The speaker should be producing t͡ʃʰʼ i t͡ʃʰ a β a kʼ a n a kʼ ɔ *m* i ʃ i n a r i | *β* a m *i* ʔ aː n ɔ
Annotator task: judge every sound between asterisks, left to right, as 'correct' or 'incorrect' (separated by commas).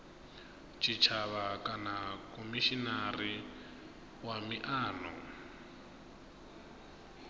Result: correct, incorrect, correct